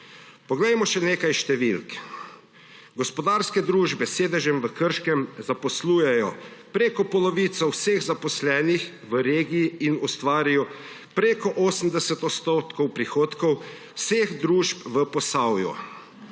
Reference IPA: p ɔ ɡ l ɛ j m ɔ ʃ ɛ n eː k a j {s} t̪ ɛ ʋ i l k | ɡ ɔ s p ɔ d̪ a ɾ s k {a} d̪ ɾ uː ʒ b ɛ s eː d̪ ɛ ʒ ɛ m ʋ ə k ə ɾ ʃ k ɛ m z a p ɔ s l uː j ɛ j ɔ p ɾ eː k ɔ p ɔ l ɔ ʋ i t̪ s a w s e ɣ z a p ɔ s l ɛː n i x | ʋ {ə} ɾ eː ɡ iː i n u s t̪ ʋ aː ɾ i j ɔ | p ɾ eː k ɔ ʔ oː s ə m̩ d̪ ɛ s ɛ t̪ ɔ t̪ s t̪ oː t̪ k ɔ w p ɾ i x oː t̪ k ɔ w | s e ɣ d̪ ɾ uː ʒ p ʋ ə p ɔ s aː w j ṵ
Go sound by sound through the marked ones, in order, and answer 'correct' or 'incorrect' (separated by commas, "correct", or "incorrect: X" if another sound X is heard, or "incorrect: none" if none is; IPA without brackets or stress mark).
incorrect: ʃ, incorrect: ɛ, correct